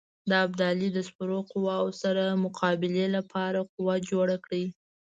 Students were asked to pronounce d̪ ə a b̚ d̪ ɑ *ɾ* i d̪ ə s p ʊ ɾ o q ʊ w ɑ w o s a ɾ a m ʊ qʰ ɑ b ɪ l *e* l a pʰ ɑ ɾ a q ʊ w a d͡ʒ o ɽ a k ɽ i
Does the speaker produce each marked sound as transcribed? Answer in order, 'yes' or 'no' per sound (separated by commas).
no, yes